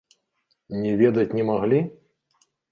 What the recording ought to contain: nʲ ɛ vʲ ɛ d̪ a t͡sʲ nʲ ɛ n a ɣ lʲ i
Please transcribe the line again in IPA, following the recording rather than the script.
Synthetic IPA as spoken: nʲ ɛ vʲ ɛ d̪ ɐ t͡sʲ nʲ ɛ m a ɣ lʲ i